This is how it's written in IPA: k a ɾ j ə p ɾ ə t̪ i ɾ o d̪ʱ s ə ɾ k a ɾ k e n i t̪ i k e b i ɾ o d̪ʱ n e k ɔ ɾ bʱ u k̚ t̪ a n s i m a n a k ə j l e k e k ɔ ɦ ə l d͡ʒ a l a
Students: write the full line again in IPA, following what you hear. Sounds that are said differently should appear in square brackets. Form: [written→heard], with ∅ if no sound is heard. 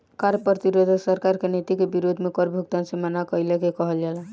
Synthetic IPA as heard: k a ɾ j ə p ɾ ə t̪ i ɾ o d̪ʱ s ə ɾ k a ɾ k e n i t̪ i k e b i ɾ o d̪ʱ [n→m] e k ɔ ɾ bʱ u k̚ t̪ a n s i m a n a k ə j l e k e k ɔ ɦ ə l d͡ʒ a l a